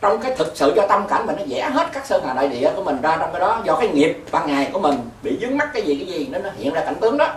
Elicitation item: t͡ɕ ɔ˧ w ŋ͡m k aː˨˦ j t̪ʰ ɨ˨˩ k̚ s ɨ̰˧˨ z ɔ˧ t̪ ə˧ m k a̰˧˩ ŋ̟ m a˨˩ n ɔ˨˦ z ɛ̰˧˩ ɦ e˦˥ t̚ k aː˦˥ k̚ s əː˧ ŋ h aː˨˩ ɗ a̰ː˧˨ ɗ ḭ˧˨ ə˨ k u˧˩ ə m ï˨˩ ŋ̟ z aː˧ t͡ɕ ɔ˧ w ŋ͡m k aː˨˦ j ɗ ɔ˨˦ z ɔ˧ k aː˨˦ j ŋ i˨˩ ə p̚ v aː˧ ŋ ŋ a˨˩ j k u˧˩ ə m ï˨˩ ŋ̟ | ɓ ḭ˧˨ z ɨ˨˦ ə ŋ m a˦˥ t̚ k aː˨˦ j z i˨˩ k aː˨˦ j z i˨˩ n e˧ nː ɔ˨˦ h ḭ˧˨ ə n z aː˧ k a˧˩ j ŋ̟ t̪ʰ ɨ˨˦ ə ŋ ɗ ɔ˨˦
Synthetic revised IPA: t͡ɕ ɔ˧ w ŋ͡m k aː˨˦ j t̪ʰ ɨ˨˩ k̚ s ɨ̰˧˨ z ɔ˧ t̪ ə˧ m k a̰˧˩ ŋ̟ m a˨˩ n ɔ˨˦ z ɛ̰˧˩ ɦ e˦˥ t̚ k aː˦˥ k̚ s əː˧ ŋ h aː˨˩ ɗ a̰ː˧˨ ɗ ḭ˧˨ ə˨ k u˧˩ ə m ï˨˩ ŋ̟ z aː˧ t͡ɕ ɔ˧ w ŋ͡m k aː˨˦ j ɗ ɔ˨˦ z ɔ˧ k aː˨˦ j ŋ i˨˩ ə p̚ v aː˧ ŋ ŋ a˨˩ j k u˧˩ ə m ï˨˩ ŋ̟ | ɓ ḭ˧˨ z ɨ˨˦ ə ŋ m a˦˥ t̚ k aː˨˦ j z i˨˩ k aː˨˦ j z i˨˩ n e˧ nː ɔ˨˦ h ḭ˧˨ ə n z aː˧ k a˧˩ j ŋ̟ t̪ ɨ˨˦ ə ŋ ɗ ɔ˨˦